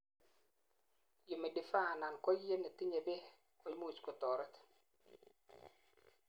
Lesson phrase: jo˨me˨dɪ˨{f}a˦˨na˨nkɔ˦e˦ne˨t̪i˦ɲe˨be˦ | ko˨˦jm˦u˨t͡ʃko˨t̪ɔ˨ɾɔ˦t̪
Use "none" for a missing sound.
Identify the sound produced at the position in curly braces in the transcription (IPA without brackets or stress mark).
f